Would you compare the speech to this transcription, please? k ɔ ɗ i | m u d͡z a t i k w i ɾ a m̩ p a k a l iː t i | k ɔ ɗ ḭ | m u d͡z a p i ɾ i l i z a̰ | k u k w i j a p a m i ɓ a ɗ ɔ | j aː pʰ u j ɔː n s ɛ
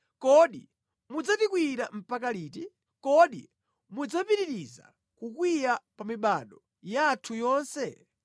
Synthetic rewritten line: k ɔ ɗ i | m u d͡z a t i k w i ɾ a m̩ p a k a l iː t i | k ɔ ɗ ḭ | m u d͡z a p i ɾ i ɾ i z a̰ | k u k w i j a p a m i ɓ a ɗ ɔ | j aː tʰ u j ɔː n s ɛ